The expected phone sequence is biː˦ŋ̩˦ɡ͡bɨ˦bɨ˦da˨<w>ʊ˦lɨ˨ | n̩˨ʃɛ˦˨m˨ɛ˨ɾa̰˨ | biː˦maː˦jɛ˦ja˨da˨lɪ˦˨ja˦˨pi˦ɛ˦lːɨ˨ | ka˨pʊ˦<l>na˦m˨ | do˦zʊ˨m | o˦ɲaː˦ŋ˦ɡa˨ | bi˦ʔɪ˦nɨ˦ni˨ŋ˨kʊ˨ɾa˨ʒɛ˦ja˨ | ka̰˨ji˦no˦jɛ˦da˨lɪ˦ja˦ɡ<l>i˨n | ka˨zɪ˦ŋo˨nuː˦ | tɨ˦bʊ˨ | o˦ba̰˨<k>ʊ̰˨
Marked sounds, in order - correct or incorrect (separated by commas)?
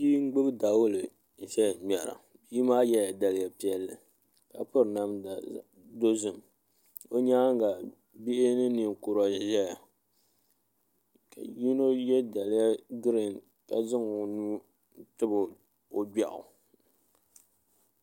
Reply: correct, incorrect, incorrect, incorrect